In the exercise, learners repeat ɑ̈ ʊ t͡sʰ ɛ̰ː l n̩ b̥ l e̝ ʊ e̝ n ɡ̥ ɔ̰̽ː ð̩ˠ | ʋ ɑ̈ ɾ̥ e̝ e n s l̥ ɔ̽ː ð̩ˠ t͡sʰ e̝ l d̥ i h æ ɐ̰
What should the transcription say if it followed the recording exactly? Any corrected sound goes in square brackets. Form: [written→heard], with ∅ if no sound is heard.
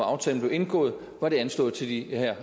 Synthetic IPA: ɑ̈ ʊ t͡sʰ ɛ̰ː l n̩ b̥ l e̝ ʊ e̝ n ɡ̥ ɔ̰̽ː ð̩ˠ | ʋ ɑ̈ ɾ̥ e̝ [e→æ] n s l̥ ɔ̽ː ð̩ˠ t͡sʰ e̝ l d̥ i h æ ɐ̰